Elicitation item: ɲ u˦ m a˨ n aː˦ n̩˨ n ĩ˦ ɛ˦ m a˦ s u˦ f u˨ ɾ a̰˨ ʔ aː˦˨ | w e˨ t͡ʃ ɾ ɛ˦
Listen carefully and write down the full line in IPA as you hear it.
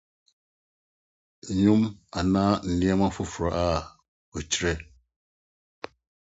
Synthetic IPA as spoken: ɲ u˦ m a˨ n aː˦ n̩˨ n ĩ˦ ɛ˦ m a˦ f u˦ f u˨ ɾ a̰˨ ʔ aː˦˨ | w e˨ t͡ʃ ɾ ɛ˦